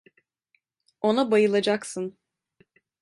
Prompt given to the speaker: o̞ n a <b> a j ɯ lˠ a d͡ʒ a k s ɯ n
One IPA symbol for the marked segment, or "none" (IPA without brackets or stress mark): b